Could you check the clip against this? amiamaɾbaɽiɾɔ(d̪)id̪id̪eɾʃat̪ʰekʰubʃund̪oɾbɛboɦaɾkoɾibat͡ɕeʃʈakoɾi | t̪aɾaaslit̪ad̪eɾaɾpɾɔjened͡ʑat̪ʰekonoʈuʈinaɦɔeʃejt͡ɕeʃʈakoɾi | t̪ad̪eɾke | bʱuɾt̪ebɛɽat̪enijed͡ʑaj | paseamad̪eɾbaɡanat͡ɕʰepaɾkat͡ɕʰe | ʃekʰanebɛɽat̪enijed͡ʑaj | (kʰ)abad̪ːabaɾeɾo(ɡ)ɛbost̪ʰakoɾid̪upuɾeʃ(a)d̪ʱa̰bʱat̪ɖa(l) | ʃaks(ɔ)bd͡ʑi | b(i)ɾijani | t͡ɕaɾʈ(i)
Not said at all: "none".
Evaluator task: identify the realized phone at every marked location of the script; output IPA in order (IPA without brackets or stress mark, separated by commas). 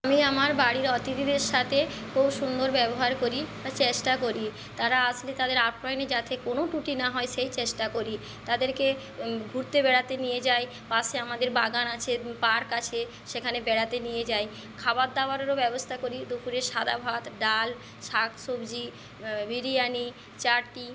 t̪, kʰ, b, a, l, o, i, i